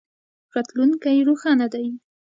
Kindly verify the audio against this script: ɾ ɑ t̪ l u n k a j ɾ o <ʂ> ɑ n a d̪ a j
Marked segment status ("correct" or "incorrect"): incorrect